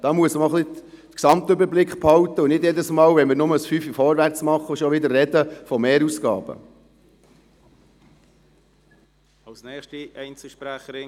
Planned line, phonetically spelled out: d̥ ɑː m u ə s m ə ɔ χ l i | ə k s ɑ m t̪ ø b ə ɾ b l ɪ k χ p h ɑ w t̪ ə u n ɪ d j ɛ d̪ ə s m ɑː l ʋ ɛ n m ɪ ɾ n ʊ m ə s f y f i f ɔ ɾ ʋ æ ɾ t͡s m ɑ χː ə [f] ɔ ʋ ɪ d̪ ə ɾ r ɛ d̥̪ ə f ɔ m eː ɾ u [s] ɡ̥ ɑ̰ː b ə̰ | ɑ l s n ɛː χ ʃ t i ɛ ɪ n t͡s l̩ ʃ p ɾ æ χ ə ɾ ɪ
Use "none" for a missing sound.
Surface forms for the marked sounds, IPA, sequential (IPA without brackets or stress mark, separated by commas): ʃ, s